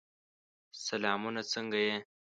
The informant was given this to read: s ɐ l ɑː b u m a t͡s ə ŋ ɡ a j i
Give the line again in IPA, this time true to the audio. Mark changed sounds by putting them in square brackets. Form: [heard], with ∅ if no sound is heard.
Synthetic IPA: s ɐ l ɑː [m] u [n] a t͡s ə ŋ ɡ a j [e]